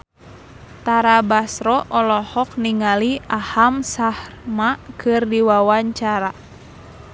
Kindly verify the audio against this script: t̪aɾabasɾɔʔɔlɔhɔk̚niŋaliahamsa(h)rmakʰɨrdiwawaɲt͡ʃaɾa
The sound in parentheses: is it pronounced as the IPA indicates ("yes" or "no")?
yes